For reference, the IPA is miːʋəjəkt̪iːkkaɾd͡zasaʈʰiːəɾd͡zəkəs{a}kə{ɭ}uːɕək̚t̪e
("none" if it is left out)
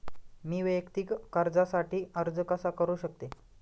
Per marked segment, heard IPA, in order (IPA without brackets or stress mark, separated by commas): a, ɾ